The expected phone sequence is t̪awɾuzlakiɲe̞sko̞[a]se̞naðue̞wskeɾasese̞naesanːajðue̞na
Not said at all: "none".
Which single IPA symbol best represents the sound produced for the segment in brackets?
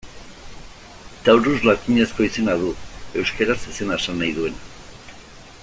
i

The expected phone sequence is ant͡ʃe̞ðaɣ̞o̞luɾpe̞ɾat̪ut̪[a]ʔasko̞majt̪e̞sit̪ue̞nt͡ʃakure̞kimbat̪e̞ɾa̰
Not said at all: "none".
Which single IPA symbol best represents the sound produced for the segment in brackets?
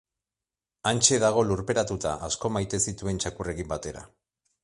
a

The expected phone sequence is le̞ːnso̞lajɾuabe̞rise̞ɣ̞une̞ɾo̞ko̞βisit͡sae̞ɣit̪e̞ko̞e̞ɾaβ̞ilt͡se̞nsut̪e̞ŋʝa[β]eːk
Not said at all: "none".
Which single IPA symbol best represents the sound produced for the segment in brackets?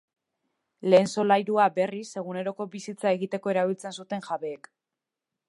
β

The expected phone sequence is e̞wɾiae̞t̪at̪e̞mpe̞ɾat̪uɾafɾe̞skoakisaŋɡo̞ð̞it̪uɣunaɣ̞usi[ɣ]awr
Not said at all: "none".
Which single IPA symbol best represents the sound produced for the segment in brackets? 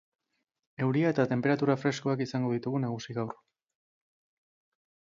ɣ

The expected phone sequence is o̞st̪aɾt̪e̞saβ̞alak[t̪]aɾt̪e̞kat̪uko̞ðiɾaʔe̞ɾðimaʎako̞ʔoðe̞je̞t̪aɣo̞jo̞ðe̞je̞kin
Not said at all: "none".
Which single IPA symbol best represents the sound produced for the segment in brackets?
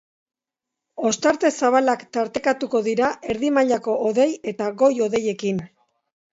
t̪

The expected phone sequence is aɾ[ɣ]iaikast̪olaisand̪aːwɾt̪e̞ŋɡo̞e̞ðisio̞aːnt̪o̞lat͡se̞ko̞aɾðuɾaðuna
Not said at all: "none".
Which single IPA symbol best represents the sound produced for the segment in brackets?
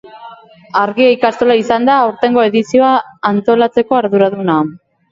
ɣ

